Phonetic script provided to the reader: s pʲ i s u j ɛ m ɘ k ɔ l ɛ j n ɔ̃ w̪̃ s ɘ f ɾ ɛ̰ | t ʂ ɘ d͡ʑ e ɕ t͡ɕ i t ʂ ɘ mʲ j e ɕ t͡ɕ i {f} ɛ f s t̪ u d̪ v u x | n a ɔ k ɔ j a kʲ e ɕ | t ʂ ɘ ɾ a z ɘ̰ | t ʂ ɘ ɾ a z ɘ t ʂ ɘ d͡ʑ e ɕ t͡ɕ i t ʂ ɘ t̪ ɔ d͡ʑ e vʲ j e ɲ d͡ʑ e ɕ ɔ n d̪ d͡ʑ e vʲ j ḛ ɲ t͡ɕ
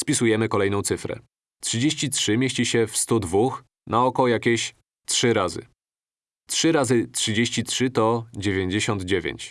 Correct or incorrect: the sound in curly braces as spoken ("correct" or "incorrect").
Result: incorrect